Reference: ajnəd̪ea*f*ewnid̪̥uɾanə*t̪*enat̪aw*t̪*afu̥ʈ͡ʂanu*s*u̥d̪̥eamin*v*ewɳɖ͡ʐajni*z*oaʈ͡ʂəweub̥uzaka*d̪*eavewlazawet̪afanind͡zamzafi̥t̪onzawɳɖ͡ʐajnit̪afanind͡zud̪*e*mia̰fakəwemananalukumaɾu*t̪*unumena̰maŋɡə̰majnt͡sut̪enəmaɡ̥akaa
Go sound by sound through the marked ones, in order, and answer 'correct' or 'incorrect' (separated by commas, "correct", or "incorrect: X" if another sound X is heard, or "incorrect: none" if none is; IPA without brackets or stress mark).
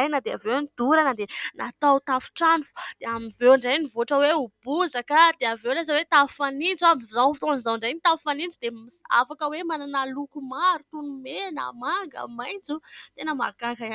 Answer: incorrect: v, incorrect: d̪, correct, incorrect: f, correct, incorrect: v, correct, correct, correct